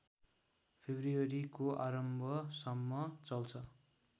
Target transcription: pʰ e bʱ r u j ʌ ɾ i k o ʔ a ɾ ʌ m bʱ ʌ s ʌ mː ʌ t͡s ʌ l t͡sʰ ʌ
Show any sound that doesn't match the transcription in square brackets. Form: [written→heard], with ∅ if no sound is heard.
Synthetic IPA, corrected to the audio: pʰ e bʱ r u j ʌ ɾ i k o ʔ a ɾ ʌ m bʱ ʌ s ʌ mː ʌ t͡s ʌ l t͡sʰ ʌ

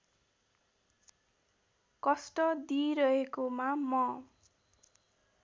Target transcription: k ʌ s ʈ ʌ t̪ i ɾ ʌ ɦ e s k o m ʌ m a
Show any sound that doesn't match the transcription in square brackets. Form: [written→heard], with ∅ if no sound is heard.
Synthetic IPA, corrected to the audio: k ʌ s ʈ ʌ [t̪→d̪] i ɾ ʌ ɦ e [s→∅] k o m [ʌ→a] m [a→ʌ]

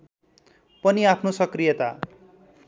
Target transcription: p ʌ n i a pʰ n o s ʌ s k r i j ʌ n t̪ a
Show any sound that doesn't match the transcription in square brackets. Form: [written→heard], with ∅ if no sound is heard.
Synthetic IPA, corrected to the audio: p ʌ n i a pʰ n o s ʌ [s→∅] k r i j ʌ [n→∅] t̪ a

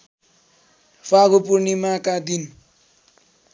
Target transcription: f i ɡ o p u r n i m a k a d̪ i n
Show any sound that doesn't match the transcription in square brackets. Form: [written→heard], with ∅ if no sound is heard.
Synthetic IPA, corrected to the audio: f [i→a] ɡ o p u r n i m a k a d̪ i n

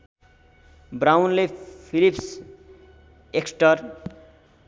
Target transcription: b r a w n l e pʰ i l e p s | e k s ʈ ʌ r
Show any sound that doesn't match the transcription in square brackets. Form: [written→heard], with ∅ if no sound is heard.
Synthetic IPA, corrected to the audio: b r a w n l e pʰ i l [e→i] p s | e k s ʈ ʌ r

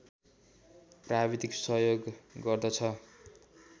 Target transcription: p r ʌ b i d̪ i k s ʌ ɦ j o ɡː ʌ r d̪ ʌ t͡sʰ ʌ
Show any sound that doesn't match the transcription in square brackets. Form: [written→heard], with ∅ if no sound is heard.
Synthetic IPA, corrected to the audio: p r [ʌ→a] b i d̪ i k s ʌ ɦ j o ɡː ʌ r d̪ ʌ t͡sʰ ʌ

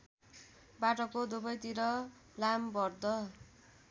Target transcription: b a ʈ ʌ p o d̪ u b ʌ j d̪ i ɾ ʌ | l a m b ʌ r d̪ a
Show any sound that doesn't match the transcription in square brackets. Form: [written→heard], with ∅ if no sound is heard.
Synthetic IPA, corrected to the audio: b a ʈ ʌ [p→k] o d̪ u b ʌ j [d̪→t̪] i ɾ ʌ | l a m b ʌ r d̪ [a→ʌ]

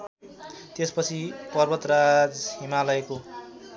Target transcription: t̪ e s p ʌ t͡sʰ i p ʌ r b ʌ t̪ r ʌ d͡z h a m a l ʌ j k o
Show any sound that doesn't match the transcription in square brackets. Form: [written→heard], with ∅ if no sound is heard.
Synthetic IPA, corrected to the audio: t̪ e s p ʌ t͡sʰ i p ʌ r b ʌ t̪ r [ʌ→a] d͡z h [a→i] m a l ʌ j k o

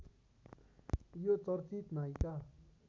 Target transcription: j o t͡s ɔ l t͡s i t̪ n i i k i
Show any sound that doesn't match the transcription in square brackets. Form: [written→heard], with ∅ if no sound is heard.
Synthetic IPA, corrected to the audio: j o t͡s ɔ [l→ɾ] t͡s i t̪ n [i→a] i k [i→a]

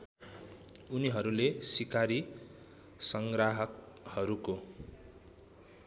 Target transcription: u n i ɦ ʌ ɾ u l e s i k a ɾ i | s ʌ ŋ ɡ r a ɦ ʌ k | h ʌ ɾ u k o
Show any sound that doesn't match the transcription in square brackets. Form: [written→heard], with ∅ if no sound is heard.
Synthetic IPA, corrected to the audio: u n i ɦ ʌ ɾ u l e s i k a ɾ i | s ʌ ŋ ɡ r a ɦ ʌ k | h ʌ ɾ u k o

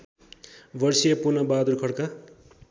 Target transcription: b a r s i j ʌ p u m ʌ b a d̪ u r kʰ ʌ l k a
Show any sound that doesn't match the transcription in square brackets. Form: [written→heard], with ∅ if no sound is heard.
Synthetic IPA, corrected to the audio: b [a→ʌ] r s i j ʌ p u [m→n] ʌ b a d̪ u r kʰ ʌ [l→ɽ] k a

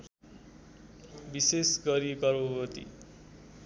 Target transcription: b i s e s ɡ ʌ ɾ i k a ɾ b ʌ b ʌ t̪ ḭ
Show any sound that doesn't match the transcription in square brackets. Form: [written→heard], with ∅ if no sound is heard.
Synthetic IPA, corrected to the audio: b i s e s ɡ ʌ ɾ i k [a→ʌ] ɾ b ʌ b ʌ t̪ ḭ

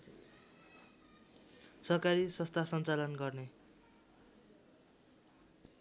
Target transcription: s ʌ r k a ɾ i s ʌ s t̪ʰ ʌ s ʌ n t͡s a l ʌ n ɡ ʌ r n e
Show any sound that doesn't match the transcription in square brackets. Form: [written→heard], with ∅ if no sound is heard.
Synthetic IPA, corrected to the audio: s ʌ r k a ɾ i s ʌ s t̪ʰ [ʌ→a] s ʌ n t͡s a l ʌ n ɡ ʌ r n e

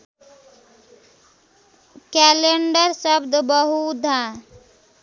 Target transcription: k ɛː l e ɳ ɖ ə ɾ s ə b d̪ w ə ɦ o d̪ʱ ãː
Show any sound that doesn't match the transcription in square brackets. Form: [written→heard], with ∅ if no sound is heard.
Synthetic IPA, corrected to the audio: k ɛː l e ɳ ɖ ə ɾ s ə b d̪ [w→b] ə ɦ [o→u] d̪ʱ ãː

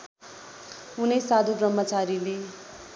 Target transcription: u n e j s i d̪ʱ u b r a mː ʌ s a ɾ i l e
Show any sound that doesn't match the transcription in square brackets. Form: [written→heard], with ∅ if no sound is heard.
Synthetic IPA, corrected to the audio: u n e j s [i→a] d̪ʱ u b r [a→ʌ] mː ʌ [s→t͡s] a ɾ i l e

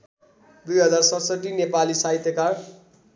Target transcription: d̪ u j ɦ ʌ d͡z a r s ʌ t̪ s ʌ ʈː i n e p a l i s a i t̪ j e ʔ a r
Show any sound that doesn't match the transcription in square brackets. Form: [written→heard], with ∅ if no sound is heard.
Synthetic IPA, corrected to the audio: d̪ u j ɦ ʌ d͡z a r s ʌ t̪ s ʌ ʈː i n e p a l i s a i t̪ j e [ʔ→k] a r

